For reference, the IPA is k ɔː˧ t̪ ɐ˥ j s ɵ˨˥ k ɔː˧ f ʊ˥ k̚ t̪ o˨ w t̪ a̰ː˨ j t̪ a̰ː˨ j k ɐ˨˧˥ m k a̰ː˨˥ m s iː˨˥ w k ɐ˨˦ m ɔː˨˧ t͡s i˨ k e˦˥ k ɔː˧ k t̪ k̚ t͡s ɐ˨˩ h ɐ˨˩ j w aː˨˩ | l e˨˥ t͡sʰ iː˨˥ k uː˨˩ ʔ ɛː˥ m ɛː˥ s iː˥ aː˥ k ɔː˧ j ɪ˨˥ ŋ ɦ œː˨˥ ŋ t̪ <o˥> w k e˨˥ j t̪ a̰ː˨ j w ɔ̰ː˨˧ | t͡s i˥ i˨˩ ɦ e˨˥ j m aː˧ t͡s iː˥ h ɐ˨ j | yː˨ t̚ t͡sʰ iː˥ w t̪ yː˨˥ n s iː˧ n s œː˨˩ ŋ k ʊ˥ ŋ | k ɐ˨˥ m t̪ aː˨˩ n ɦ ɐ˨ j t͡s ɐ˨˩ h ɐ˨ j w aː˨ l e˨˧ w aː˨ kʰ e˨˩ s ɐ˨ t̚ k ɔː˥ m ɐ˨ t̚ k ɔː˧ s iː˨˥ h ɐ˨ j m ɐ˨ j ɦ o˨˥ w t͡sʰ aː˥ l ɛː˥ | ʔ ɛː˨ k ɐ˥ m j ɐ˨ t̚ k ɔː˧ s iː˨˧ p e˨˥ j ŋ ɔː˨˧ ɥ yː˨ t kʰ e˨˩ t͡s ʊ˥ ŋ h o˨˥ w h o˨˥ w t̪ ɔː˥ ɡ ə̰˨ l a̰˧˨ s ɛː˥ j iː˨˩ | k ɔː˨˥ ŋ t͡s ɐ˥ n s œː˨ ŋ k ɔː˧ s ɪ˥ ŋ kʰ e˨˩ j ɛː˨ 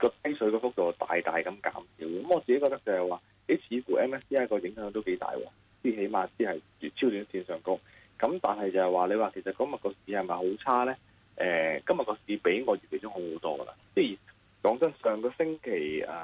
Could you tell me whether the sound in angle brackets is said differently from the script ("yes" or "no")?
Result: no